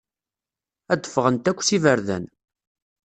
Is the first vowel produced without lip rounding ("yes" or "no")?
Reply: yes